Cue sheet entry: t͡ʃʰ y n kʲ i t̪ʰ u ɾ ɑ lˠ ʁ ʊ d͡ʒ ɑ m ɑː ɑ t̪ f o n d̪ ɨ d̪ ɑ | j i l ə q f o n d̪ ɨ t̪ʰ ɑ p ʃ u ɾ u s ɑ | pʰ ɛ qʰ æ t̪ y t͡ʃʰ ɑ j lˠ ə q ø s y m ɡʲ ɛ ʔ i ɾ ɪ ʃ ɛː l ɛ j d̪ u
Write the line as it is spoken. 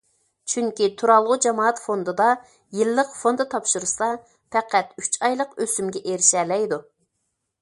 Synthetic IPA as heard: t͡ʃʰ y ŋ kʲ i t̪ʰ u ɾ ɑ lˠ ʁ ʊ d͡ʒ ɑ m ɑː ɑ t̪ f o n d̪ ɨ d̪ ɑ | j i lː ə q f o n d̪ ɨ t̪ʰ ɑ p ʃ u ɾ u s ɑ | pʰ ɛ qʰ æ t̪ y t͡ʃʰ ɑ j lˠ ə q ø s y m ɡʲ ɛ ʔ e ɾ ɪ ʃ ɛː l ɛ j d̪ u